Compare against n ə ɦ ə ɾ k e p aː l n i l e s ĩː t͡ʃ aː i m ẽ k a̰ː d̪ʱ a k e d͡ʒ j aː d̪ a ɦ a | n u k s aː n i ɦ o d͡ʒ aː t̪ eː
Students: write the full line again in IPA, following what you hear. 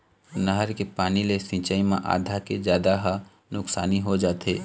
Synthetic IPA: n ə ɦ ə ɾ k e p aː n i l e s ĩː t͡ʃ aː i m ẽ ʔ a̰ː d̪ʱ a k e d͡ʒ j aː d̪ a ɦ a | n ʊ k s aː n i ɦ o d͡ʒ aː t̪ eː